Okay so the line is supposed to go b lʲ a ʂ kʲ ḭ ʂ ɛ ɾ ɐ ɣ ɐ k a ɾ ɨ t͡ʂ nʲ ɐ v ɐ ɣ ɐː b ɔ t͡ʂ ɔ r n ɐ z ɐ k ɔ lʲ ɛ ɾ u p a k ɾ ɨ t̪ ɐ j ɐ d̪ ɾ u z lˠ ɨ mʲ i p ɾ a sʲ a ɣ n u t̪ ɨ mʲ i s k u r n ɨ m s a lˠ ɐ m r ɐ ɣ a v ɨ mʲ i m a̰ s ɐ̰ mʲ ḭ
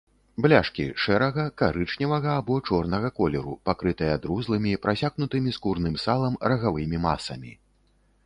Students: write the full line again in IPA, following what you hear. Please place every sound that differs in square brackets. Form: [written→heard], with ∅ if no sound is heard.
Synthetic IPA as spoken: b lʲ a ʂ kʲ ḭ ʂ ɛ ɾ ɐ ɣ ɐ k a ɾ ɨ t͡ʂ nʲ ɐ v ɐ ɣ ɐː b ɔ t͡ʂ ɔ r n ɐ [z→ɣ] ɐ k ɔ lʲ ɛ ɾ u p a k ɾ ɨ t̪ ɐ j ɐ d̪ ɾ u z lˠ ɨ mʲ i p ɾ a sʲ a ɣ n u t̪ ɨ mʲ i s k u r n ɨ m s a lˠ ɐ m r ɐ ɣ a v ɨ mʲ i m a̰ s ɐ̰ mʲ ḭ